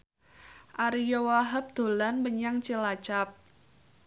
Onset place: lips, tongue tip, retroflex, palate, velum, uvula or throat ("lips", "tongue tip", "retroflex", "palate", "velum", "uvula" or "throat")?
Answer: throat